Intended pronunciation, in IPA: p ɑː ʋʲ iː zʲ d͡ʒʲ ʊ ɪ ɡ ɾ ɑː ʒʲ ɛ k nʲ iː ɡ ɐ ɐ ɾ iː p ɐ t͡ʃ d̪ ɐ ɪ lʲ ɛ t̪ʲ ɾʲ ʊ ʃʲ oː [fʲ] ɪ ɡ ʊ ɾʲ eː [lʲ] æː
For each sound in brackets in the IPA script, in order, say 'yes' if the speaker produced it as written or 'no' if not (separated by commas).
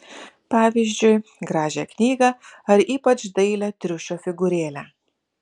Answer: yes, yes